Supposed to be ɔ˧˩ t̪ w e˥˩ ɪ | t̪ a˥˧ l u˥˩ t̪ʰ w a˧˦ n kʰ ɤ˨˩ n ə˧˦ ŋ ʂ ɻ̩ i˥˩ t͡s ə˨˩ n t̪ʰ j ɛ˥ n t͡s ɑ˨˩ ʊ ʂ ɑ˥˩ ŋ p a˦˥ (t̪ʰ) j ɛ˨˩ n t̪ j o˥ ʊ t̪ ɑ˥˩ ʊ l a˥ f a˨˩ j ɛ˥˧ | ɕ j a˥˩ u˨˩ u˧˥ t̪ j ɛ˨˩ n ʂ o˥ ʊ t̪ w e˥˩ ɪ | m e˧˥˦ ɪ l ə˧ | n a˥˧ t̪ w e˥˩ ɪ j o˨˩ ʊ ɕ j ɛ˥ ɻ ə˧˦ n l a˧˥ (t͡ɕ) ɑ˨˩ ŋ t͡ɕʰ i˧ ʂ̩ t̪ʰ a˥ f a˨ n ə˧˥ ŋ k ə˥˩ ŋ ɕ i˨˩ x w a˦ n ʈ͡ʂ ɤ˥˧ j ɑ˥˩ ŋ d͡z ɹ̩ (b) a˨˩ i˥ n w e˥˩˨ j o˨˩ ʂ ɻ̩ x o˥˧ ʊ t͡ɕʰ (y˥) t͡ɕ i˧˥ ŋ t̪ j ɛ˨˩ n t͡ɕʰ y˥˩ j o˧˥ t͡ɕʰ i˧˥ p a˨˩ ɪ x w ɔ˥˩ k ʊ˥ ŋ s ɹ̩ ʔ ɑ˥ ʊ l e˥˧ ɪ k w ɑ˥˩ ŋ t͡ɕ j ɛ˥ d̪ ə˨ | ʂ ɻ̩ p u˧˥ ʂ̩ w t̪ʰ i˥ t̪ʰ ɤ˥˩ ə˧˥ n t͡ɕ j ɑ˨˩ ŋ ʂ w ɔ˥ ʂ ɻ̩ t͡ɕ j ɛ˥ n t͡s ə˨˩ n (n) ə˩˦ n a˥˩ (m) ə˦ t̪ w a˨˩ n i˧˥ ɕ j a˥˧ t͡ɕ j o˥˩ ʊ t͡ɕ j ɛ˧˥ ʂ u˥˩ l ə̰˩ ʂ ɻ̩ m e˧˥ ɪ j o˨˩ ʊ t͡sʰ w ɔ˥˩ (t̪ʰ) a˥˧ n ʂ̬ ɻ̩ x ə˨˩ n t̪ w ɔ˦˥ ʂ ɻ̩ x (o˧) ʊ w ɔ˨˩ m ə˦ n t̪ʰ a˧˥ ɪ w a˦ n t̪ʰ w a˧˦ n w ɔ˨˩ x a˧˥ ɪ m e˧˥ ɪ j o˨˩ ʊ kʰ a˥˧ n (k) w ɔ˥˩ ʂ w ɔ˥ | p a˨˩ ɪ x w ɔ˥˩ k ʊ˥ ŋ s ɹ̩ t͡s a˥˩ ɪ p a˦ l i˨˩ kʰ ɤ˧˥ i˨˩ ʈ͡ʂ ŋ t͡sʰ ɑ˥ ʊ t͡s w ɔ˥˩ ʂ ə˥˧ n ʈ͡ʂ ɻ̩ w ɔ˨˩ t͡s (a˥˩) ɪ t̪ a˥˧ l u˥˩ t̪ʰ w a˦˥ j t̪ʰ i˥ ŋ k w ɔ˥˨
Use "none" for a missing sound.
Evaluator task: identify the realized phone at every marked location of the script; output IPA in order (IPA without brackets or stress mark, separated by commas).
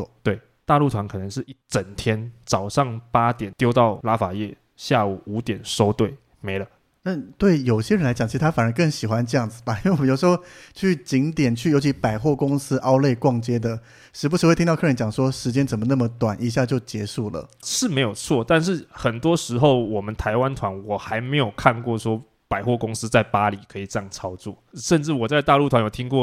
t̪, t͡ɕ, b, y˥˩, m, m, t̪, o˥˩, k, a˥˧